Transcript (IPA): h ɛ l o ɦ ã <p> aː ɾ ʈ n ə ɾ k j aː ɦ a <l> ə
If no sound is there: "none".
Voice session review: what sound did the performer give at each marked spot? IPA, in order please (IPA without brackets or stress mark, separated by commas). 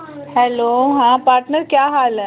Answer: p, l